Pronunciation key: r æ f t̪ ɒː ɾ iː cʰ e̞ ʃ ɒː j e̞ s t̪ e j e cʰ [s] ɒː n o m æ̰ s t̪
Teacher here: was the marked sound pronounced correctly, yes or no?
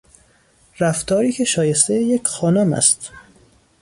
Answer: no